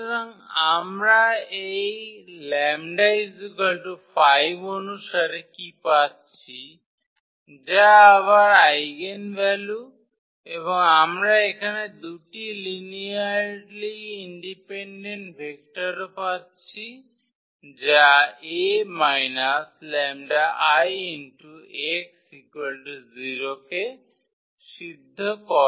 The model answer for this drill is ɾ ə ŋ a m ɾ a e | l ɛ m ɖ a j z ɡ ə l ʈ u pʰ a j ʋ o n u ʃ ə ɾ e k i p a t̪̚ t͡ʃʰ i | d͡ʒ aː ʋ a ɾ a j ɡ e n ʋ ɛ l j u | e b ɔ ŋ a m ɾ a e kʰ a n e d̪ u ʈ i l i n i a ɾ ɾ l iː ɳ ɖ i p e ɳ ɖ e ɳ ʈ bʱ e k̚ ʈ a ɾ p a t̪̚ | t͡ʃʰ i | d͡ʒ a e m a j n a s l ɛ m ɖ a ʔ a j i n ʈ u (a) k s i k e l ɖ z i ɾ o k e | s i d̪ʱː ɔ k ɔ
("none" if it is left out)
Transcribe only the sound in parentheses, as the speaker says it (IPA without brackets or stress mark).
e